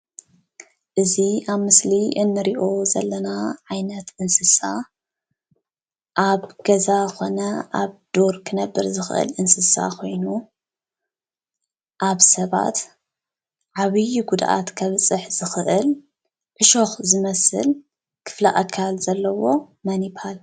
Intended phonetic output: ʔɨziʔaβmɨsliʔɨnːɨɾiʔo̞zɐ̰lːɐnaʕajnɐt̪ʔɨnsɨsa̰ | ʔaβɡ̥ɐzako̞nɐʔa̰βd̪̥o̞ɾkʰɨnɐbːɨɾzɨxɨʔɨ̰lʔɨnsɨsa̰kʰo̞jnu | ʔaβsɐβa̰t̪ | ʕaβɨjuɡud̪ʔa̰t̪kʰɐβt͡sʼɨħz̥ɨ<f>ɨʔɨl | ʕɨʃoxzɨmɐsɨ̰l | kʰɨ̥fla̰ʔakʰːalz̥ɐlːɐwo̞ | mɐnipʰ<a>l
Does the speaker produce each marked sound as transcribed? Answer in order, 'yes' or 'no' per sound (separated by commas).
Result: no, yes